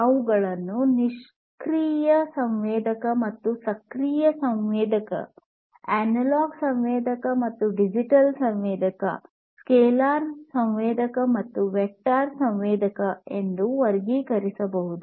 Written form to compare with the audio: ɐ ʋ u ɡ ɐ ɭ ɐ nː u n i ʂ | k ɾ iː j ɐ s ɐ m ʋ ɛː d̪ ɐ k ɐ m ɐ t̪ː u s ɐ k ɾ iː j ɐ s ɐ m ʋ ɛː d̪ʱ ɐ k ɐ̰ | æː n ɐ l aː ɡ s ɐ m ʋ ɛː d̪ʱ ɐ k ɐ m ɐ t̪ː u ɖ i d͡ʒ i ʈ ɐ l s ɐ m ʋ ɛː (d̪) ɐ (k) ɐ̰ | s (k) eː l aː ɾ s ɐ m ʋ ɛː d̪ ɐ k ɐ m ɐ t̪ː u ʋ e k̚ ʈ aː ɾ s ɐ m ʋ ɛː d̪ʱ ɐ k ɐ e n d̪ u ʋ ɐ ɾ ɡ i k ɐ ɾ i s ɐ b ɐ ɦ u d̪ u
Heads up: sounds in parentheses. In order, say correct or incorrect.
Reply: correct, correct, correct

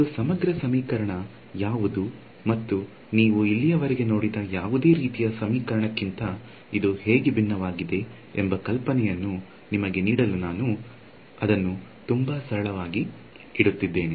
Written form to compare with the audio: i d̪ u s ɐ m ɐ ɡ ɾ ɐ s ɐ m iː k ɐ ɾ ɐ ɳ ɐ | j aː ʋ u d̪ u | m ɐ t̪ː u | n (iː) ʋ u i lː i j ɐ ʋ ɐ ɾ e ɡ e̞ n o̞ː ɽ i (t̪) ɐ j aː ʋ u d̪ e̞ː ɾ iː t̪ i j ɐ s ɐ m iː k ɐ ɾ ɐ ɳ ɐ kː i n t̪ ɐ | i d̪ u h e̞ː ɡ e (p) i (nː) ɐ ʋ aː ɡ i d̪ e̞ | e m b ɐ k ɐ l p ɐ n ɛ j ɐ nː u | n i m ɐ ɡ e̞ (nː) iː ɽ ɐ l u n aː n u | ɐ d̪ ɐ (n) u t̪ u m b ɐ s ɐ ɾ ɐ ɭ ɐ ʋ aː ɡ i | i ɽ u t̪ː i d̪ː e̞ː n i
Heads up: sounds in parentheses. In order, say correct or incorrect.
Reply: correct, incorrect, incorrect, correct, incorrect, incorrect

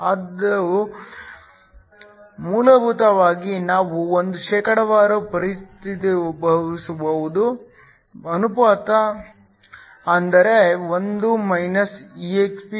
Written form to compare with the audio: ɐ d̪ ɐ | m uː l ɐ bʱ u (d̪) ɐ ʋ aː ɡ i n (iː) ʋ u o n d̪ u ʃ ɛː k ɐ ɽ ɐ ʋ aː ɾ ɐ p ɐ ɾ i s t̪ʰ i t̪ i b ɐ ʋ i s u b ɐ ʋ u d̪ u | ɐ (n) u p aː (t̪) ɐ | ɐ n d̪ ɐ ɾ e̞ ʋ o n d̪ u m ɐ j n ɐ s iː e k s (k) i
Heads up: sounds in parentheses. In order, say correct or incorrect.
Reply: incorrect, incorrect, correct, correct, incorrect

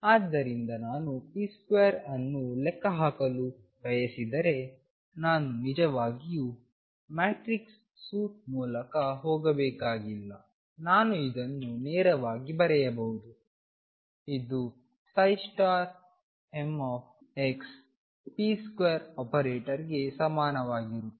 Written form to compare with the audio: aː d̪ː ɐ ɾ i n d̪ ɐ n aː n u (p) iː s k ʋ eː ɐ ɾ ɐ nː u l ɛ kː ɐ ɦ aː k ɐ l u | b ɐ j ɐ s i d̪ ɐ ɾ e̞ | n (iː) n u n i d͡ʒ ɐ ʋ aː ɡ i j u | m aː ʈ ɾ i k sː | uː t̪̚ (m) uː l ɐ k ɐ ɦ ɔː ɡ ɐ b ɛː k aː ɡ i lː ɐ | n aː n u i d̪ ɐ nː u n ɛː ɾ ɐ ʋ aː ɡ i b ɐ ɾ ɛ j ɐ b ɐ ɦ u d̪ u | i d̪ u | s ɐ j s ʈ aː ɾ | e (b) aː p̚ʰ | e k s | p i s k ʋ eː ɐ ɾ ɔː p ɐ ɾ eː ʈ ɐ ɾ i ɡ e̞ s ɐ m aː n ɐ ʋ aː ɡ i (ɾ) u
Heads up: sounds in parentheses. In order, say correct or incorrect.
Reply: correct, incorrect, correct, incorrect, correct

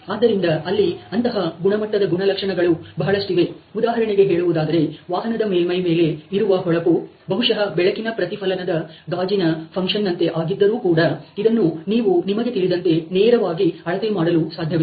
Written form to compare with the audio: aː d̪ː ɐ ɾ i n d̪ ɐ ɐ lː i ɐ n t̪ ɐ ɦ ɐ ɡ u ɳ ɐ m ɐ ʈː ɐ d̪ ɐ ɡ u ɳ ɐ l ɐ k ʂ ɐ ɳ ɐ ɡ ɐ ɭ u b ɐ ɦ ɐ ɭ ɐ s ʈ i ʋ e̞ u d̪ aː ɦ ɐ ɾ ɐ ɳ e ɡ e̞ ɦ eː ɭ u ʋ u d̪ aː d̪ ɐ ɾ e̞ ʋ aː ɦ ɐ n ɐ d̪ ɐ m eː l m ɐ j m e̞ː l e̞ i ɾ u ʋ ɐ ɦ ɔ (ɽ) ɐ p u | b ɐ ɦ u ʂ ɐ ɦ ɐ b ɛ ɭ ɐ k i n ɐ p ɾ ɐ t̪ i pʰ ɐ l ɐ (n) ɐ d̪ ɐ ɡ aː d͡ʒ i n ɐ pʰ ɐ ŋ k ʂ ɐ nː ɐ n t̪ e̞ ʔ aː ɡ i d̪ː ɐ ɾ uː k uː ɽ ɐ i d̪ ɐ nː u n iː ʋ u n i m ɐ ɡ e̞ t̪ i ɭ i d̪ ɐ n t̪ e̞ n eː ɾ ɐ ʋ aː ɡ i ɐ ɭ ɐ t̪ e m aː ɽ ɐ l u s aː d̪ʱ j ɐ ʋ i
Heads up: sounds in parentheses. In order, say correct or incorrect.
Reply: incorrect, correct

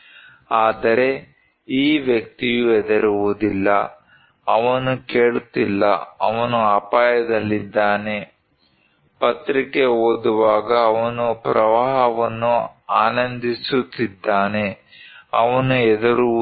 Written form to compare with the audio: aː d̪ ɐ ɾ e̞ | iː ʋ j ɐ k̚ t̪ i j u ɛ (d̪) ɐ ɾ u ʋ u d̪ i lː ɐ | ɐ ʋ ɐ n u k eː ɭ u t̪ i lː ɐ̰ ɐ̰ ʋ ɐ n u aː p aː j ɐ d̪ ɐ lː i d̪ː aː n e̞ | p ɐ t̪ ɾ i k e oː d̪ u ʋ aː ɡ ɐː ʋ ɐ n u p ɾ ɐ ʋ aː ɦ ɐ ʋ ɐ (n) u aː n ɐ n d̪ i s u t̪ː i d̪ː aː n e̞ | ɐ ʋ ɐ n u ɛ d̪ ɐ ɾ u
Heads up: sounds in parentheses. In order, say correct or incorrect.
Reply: correct, incorrect

